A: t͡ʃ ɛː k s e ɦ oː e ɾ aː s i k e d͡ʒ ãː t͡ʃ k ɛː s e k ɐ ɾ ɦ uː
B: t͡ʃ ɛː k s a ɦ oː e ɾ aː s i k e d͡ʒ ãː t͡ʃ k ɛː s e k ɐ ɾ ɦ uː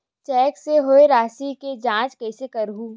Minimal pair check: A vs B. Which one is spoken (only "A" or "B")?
A